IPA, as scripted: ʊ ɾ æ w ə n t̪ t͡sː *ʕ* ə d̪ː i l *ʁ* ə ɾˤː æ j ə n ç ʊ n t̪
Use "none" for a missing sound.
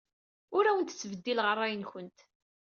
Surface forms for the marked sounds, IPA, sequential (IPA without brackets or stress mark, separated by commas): v, ʁ